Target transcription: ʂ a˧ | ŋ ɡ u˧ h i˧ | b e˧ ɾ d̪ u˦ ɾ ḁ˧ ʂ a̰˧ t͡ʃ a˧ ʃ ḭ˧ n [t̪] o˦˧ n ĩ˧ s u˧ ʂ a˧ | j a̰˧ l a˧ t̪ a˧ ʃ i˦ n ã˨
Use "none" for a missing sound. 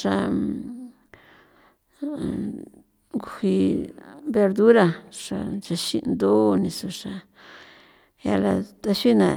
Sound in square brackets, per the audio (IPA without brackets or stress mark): d̪